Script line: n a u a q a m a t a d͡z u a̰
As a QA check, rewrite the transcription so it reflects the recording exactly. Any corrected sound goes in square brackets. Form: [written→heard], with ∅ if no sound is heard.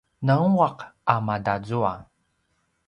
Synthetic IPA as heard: n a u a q a m a [t→d] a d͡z u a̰